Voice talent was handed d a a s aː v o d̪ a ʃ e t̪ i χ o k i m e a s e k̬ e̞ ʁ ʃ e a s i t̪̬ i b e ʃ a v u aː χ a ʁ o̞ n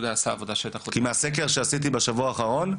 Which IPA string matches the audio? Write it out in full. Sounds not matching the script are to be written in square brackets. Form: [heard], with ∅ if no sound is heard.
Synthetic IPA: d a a s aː v o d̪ a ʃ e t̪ [a] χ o k i m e a s e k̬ e̞ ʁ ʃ e a s i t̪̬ i b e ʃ a v u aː χ a ʁ o̞ n